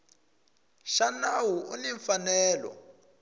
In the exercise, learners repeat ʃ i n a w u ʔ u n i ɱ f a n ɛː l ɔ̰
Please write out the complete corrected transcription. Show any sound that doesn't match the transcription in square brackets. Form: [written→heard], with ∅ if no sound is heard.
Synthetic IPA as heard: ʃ [i→a] n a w u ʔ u n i ɱ f a n ɛː l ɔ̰